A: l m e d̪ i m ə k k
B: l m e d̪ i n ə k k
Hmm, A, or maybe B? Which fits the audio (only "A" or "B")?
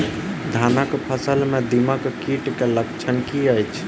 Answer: A